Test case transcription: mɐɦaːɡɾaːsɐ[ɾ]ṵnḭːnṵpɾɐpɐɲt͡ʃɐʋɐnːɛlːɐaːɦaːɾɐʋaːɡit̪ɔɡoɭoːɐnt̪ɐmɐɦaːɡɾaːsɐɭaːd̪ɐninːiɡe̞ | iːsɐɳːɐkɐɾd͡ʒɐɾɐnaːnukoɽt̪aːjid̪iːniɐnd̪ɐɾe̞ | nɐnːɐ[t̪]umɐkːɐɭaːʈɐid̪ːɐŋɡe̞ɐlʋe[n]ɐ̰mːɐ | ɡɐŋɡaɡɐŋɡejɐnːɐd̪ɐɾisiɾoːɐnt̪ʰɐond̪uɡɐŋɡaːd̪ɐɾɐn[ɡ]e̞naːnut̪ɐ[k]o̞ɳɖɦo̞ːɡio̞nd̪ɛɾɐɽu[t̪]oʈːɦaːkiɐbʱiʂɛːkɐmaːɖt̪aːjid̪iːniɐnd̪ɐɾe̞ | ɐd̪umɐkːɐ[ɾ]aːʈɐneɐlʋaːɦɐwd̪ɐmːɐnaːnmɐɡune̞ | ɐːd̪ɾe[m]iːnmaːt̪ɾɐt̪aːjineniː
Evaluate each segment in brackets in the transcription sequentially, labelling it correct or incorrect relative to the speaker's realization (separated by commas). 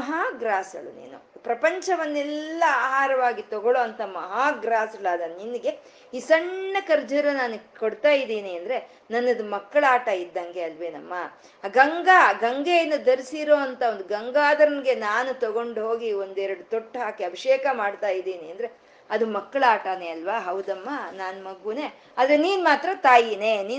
incorrect, incorrect, correct, correct, incorrect, correct, incorrect, incorrect